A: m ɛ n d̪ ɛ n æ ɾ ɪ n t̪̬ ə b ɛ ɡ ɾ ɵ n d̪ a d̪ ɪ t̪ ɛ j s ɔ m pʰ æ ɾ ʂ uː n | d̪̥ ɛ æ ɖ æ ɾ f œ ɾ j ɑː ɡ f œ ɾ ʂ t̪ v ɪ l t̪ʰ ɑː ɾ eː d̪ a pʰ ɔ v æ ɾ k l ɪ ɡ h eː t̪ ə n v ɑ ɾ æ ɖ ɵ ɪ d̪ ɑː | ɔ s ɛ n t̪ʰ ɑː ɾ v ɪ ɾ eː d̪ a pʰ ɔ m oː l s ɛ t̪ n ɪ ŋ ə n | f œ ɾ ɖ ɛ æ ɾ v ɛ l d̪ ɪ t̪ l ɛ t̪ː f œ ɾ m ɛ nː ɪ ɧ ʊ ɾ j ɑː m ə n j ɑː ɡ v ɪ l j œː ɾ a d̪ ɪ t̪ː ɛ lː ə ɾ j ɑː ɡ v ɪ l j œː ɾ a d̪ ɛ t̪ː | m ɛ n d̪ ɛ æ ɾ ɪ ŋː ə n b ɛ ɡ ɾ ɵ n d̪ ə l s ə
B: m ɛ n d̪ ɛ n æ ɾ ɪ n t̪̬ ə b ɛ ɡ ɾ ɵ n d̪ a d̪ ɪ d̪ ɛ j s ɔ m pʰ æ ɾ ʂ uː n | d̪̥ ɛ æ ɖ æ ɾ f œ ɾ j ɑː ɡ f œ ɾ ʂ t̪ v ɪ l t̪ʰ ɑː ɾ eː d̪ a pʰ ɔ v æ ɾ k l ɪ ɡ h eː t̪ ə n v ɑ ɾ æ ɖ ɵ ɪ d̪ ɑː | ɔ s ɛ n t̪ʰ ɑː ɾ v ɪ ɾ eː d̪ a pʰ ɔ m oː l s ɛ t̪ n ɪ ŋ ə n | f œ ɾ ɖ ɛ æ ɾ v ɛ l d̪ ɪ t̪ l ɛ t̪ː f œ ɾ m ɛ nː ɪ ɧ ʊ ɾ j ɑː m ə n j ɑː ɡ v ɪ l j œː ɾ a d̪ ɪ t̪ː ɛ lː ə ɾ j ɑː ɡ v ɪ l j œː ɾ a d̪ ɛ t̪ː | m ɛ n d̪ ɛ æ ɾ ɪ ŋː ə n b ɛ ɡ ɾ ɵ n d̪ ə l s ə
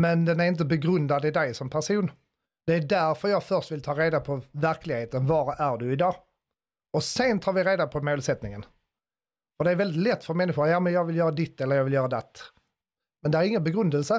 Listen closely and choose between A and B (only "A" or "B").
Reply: B